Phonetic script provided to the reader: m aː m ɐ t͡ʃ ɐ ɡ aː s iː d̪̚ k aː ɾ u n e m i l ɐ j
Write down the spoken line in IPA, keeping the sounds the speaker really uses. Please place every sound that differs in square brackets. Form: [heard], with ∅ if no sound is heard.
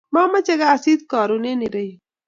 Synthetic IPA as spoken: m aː m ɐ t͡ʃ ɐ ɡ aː s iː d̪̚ k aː ɾ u n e [n] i [ɾ] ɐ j